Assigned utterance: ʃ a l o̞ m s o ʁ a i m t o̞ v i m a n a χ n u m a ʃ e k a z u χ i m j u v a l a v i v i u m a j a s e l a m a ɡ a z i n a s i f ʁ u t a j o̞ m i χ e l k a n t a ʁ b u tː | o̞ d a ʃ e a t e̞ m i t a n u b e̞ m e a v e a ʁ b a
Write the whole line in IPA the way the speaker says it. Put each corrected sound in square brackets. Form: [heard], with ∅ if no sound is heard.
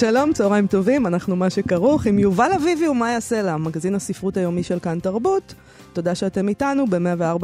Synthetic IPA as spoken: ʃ a l o̞ m [t͡s] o ʁ a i m t o̞ v i m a n a χ n u m a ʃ e k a [ʁ] u χ i m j u v a l a v i v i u m a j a s e l a m a ɡ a z i n a s i f ʁ u t a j o̞ m i [ʃ] e l k a n t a ʁ b u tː | o̞ d a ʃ e a t e̞ m i t a n u b e̞ m e a v e a ʁ b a